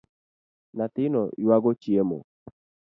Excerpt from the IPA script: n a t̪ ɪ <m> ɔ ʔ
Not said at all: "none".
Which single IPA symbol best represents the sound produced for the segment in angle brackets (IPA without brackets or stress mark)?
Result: n